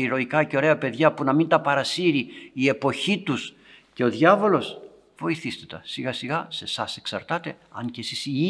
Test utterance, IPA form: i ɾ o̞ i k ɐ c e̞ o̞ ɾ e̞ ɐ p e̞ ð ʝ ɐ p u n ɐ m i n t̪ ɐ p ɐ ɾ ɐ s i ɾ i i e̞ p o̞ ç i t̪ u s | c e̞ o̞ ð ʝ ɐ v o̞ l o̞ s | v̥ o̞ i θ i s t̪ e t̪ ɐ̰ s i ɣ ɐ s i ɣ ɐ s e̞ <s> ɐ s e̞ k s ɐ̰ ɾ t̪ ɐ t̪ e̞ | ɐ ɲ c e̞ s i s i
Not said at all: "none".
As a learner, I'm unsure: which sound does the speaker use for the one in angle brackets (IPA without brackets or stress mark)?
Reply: s